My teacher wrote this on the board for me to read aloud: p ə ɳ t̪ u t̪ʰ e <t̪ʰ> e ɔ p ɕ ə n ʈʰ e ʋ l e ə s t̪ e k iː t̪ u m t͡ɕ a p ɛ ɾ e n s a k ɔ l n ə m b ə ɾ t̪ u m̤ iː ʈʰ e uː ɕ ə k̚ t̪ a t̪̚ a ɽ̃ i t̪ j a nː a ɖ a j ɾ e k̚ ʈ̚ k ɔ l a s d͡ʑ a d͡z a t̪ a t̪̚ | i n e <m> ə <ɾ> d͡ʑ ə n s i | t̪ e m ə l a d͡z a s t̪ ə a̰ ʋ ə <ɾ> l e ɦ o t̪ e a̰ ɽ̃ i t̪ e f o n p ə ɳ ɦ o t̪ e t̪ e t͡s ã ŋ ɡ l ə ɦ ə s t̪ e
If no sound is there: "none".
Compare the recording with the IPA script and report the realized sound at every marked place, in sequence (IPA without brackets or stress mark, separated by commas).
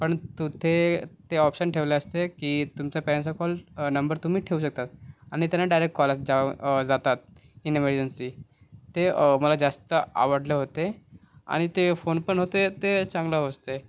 t̪, m, ɾ, ɽ